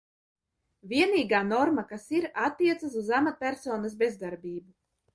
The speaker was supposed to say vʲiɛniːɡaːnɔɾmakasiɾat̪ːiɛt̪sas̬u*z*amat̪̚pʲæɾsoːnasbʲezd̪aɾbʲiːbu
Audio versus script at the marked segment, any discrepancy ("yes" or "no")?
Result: no